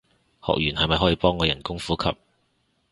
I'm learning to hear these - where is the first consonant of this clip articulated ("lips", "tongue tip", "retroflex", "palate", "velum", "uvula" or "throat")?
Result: throat